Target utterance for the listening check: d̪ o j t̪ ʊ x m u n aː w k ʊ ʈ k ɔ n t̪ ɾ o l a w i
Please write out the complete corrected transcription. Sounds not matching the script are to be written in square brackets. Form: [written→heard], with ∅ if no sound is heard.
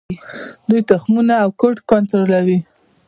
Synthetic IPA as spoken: d̪ [o→u] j t̪ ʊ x m u n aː w k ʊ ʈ k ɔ n t̪ ɾ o l a w i